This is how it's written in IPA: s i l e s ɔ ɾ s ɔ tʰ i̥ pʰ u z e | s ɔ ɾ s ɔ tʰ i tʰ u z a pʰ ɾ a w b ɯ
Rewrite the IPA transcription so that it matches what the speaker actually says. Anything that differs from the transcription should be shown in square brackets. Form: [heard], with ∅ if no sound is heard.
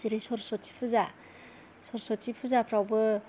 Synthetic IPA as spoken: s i [ɾ] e s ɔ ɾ s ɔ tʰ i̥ pʰ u z [a] | s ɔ ɾ s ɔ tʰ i [pʰ] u z a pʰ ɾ a w b ɯ